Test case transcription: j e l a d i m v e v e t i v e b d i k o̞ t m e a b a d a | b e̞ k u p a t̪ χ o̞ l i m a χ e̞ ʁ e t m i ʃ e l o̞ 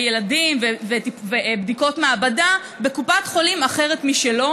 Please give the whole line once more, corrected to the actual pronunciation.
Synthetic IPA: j e l a d i m v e v e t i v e b d i k o̞ t m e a b a d a | b e̞ k u p a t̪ χ o̞ l i m a χ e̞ ʁ e t m i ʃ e l o̞